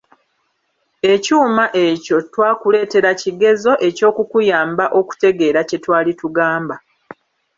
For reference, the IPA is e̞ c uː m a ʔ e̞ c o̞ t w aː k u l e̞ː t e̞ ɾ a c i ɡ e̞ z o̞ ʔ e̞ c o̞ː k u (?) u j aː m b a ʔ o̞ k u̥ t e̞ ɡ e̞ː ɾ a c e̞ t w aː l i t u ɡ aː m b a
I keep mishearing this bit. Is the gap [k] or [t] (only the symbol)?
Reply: k